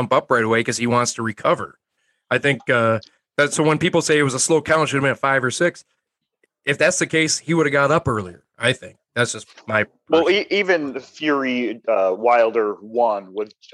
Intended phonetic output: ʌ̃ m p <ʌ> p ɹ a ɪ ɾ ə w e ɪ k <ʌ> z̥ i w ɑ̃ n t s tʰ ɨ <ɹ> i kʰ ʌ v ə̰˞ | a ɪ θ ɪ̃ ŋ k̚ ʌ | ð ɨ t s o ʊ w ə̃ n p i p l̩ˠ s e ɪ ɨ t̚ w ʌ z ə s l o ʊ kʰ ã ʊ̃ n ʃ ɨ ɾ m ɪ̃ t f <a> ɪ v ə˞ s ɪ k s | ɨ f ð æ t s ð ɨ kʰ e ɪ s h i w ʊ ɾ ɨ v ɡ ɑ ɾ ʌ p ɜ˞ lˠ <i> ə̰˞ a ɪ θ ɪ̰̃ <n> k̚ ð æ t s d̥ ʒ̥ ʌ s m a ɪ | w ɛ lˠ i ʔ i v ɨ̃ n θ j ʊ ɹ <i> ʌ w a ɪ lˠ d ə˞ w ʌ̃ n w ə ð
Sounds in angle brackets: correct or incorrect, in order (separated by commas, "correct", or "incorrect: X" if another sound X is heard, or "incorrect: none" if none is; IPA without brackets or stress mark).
correct, correct, correct, correct, correct, incorrect: ŋ, correct